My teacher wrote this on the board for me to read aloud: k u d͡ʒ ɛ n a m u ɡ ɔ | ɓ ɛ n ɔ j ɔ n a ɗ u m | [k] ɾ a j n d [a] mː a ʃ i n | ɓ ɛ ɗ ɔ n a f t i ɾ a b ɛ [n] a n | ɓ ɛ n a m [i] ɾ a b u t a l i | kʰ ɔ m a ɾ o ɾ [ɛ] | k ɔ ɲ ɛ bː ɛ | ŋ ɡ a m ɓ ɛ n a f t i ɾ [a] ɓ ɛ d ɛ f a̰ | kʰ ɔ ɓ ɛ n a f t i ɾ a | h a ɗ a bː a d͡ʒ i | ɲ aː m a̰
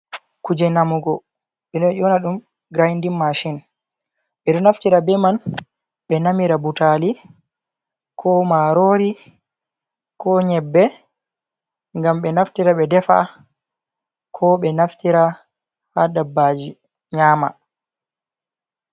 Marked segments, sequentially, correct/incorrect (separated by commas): incorrect, incorrect, incorrect, correct, incorrect, correct